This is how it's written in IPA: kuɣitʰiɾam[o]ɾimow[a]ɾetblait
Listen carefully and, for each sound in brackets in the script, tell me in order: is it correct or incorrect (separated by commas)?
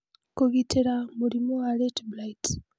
incorrect, correct